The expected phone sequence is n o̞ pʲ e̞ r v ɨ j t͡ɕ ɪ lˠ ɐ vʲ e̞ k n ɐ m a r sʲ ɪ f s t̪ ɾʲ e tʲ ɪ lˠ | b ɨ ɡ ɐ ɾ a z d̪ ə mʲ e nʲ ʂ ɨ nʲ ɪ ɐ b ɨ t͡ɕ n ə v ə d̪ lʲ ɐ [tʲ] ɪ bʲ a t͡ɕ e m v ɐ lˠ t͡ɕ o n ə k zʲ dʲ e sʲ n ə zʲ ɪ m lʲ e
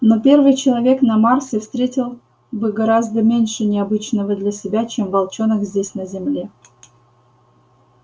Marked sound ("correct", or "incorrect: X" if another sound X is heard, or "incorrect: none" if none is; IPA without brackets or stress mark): incorrect: sʲ